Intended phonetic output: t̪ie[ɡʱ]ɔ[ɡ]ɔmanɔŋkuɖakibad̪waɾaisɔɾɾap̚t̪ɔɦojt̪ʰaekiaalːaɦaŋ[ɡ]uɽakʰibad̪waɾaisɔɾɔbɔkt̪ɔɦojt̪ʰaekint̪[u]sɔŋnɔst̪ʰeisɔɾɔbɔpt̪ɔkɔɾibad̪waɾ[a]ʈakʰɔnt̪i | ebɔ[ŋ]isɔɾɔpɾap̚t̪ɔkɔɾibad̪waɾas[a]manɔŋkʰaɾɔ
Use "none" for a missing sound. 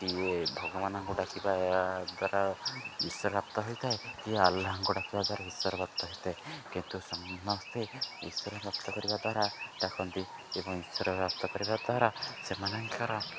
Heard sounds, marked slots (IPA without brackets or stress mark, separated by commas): bʱ, ɡ, k, u, a, ŋ, e